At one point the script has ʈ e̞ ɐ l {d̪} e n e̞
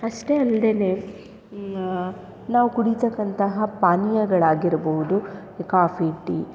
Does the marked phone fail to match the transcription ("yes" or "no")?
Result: no